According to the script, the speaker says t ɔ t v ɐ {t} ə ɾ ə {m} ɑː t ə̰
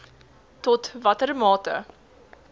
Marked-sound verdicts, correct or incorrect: correct, correct

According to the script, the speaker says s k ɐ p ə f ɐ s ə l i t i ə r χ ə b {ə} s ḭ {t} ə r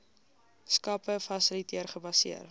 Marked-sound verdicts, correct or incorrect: incorrect: ɐ, incorrect: none

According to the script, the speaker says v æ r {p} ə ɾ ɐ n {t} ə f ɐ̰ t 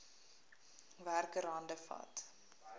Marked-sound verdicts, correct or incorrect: incorrect: k, incorrect: d

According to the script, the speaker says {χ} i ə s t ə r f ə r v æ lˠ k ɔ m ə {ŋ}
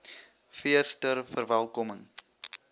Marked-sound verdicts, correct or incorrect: incorrect: f, correct

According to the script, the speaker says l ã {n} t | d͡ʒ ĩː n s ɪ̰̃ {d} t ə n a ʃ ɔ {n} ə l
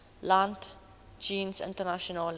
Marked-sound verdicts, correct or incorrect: correct, incorrect: n, correct

